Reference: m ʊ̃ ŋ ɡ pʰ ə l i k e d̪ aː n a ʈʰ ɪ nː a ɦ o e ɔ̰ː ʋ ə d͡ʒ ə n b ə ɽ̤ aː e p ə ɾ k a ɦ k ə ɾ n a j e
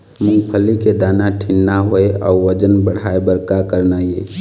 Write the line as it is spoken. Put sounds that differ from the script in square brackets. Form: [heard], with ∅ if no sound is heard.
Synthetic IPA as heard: m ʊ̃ ŋ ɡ pʰ ə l i k e d̪ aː n a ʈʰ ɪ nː a ɦ o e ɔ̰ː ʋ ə d͡ʒ ə n b ə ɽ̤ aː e [b] ə ɾ k a [∅] k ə ɾ n a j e